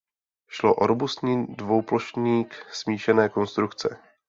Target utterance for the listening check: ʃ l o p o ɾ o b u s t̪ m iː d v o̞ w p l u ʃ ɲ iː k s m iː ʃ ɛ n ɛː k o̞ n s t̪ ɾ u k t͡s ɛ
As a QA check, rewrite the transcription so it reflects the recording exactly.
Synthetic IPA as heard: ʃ l o ʔ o ɾ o b u s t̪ ɲ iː d v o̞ w p l o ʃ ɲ iː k s m iː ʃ ɛ n ɛː k o̞ n s t̪ ɾ u k t͡s ɛ

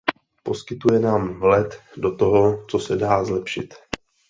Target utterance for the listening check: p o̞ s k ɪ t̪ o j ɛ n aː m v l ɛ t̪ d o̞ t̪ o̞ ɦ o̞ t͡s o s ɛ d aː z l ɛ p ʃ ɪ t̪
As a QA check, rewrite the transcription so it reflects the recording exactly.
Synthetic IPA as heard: p o̞ s k ɪ t̪ u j ɛ n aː m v l ɛ t̪ d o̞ t̪ o̞ ɦ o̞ t͡s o s ɛ d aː z l ɛ p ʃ ɪ t̪

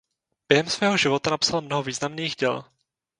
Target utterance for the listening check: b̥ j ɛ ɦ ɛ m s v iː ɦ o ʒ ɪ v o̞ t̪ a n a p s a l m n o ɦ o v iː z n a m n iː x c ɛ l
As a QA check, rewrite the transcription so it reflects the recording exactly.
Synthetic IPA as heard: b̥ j ɛ ɦ ɛ m s v ɛː ɦ o ʒ ɪ v o̞ t̪ a n a p s a l m n o ɦ o v iː z n a m n iː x ɟ ɛ l

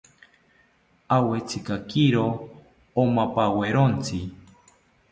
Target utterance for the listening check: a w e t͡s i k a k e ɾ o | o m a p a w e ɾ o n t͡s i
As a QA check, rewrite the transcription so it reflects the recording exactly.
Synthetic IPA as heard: a w e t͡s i k a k i ɾ o | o m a p a w e ɾ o n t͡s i

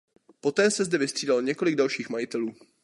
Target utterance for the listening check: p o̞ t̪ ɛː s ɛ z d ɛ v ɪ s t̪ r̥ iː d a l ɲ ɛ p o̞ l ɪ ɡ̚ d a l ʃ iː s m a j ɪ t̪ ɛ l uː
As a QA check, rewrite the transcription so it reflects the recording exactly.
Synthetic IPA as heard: p o̞ t̪ ɛː s ɛ z d ɛ v ɪ s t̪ r̥ iː d a l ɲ ɛ k o̞ l ɪ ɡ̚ d a l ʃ iː x m a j ɪ t̪ ɛ l uː

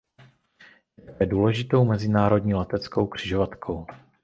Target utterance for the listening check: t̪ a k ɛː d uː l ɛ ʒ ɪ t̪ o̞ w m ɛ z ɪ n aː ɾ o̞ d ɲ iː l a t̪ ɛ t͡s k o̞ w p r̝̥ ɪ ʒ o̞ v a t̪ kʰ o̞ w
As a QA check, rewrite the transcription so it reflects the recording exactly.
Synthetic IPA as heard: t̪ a k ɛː d uː l ɛ ʒ ɪ t̪ o̞ w m ɛ z ɪ n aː ɾ o̞ d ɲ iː l ɛ t̪ ɛ t͡s k o̞ w k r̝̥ ɪ ʒ o̞ v a t̪ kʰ o̞ w

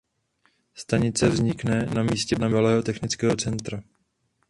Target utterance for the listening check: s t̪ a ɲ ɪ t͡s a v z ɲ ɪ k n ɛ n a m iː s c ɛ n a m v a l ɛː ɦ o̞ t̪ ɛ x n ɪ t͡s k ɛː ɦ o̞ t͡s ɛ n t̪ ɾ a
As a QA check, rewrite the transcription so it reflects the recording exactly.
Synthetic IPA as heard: s t̪ a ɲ ɪ t͡s ɛ v z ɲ ɪ k n ɛ n a m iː s c ɛ n a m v a l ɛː ɦ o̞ t̪ ɛ x n ɪ t͡s k ɛː ɦ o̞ t͡s ɛ n t̪ ɾ a

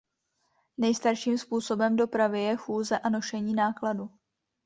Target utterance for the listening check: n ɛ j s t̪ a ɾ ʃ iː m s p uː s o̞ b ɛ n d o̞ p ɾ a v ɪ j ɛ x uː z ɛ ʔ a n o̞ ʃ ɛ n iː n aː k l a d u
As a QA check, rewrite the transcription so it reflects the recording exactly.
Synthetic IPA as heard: n ɛ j s t̪ a ɾ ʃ iː m s p uː s o̞ b ɛ m d o̞ p ɾ a v ɪ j ɛ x uː z ɛ ʔ a n o̞ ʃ ɛ ɲ iː n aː k l a d u

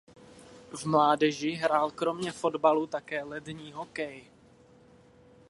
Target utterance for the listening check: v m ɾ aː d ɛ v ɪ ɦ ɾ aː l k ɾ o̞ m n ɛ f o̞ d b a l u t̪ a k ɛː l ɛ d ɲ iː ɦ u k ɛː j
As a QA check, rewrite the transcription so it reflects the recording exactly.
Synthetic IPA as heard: v m l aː d ɛ ʒ ɪ ɦ ɾ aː l k ɾ o̞ m ɲ ɛ f o̞ d b a l u t̪ a k ɛː l ɛ d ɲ iː ɦ o k ɛ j

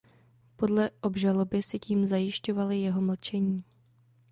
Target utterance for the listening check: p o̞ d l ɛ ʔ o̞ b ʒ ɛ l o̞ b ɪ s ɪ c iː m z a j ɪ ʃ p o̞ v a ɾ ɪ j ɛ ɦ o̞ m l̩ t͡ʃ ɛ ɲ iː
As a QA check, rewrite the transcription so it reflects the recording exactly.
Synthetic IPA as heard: p o̞ d l ɛ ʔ o̞ b ʒ a l o̞ b ɪ s ɪ c iː m z a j ɪ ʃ c o̞ v a l ɪ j ɛ ɦ o̞ m l̩ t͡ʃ ɛ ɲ iː

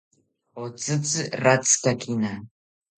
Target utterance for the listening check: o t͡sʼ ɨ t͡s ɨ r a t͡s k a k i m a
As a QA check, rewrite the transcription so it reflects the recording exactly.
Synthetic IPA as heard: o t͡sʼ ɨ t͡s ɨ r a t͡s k a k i n a

